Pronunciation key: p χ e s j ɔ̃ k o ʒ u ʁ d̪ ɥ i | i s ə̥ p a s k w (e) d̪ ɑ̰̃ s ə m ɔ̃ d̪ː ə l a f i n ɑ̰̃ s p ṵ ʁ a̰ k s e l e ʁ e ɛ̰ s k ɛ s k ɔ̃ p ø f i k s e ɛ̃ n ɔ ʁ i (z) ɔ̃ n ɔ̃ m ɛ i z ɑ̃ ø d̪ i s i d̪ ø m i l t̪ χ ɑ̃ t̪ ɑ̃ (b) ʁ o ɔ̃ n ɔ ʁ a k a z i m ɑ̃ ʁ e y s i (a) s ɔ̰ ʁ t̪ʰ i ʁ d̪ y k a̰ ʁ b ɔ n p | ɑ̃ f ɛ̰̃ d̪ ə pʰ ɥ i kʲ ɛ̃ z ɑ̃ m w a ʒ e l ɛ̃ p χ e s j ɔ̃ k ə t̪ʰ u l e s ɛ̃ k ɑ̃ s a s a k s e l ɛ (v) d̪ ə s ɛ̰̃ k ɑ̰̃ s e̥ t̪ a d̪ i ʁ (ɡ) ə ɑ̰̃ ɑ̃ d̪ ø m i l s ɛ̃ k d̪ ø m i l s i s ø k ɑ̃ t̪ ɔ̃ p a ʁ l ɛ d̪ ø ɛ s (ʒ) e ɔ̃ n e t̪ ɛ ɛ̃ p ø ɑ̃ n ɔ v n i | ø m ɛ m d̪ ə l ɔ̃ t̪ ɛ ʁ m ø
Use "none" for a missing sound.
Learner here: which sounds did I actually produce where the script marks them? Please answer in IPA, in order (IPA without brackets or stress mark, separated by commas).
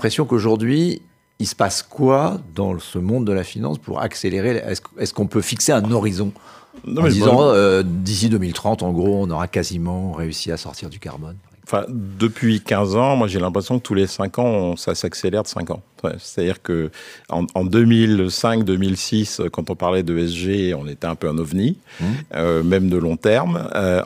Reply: a, z, ɡ, a, ʁ, k, ʒ